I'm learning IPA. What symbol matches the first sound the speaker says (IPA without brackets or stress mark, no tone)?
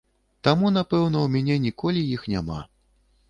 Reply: t̪